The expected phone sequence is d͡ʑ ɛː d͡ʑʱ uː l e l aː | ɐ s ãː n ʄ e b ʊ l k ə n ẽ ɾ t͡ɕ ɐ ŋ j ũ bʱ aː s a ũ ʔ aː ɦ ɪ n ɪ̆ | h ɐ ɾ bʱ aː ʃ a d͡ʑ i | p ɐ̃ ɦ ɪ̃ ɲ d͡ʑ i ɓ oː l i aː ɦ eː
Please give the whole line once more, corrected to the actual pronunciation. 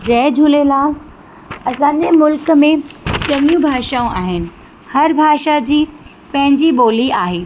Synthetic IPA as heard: d͡ʑ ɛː d͡ʑʱ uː l e l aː | ɐ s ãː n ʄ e m ʊ l k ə m ẽ t͡ɕ ɐ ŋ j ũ bʱ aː ʃ a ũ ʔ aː ɦ ɪ n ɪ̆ | h ɐ ɾ bʱ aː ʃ a d͡ʑ iː | p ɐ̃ ɦ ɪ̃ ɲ d͡ʑ i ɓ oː l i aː ɦ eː